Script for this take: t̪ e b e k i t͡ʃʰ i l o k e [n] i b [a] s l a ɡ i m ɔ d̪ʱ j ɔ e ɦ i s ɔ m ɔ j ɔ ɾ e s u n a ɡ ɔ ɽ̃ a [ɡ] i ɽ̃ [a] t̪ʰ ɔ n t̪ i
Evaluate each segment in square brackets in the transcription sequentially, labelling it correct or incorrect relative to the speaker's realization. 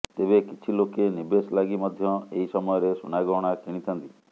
correct, incorrect: e, incorrect: k, incorrect: i

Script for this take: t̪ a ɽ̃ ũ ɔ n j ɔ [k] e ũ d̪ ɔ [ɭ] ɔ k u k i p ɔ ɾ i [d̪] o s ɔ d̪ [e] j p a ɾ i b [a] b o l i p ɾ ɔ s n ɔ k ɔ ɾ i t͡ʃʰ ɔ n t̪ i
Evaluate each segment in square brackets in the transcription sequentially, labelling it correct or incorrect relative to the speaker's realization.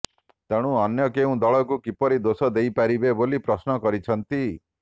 correct, correct, correct, correct, incorrect: e

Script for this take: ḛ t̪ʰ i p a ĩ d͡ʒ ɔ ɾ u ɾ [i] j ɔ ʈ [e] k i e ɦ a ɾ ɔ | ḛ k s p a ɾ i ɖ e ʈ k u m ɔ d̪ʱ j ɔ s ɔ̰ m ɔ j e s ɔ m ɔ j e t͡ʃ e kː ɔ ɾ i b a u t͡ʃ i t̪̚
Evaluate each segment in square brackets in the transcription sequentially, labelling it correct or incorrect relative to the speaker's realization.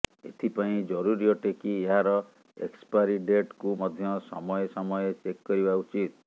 correct, correct

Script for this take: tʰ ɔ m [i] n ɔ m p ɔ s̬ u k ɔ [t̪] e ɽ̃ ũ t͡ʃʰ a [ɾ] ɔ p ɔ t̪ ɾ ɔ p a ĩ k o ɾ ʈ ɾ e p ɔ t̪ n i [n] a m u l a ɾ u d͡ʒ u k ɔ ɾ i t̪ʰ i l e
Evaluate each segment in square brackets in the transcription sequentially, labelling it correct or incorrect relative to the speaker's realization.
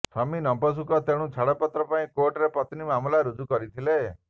correct, correct, incorrect: ɽ, incorrect: m

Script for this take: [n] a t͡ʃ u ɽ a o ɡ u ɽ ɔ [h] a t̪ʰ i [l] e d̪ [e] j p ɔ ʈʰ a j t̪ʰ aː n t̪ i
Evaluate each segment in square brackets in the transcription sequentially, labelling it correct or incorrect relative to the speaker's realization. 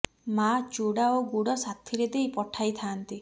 incorrect: m, incorrect: s, incorrect: ɾ, correct

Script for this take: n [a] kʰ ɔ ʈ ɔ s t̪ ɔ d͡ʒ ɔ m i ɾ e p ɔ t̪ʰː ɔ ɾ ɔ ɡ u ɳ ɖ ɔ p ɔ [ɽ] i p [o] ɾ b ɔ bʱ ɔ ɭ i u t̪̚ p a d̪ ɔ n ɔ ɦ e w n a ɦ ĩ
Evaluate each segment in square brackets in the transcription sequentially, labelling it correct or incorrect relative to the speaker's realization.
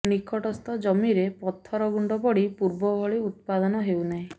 incorrect: i, correct, incorrect: u

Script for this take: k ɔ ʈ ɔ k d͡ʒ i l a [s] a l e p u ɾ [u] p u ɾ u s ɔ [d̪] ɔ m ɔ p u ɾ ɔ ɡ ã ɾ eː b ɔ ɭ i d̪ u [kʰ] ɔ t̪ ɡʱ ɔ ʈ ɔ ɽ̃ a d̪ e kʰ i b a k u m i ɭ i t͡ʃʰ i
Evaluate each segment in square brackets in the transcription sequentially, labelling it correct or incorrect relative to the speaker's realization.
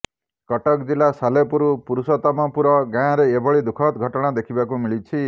correct, correct, incorrect: t̪, correct

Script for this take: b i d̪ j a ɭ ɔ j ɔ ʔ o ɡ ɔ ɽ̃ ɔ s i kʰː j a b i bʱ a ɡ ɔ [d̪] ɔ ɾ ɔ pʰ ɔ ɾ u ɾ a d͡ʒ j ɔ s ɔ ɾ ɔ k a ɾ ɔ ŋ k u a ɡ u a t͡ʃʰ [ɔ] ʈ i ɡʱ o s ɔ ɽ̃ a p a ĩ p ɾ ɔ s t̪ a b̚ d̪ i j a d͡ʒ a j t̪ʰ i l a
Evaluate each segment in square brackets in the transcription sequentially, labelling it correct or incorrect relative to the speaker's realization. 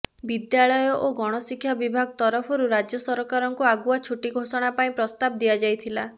incorrect: t̪, incorrect: u

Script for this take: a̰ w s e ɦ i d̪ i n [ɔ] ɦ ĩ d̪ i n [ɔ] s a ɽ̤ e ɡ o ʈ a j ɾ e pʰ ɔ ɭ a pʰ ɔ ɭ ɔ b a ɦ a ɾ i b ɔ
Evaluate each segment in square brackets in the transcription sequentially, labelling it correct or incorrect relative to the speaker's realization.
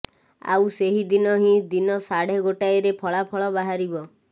correct, correct

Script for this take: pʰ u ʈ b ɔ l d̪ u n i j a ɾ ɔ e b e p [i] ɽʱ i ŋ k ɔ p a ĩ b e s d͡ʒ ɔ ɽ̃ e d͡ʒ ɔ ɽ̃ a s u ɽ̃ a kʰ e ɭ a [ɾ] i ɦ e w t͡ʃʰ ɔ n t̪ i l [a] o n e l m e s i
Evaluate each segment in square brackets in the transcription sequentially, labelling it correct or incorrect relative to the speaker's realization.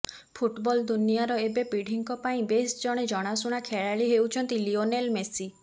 correct, incorrect: ɭ, incorrect: i

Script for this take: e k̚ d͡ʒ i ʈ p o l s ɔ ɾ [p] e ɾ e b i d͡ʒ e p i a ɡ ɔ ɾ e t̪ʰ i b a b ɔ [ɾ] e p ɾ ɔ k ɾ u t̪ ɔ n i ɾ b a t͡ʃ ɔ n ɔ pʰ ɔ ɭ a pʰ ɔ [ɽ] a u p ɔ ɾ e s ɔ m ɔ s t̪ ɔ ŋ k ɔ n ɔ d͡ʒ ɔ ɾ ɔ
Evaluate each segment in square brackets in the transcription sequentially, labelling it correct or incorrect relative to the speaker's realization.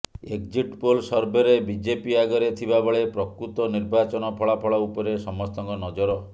incorrect: b, incorrect: ɭ, incorrect: ɭ

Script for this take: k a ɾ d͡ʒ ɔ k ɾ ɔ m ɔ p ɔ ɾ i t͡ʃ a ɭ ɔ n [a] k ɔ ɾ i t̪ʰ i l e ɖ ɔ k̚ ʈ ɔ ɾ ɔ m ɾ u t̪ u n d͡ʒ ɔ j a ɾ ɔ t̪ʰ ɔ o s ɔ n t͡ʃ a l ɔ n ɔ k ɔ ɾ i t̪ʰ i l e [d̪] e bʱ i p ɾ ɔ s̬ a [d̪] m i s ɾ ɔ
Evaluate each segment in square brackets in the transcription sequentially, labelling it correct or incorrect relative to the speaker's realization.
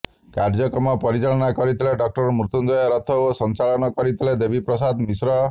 correct, correct, correct

